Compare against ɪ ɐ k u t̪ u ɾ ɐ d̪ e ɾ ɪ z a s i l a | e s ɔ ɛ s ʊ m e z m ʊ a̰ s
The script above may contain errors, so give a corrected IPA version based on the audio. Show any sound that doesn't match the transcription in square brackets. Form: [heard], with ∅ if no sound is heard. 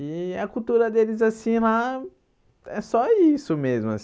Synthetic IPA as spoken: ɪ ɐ k u t̪ u ɾ ɐ d̪ e [l] ɪ z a s [ĩ] l a | [ɛ] s ɔ [i] s ʊ m e z m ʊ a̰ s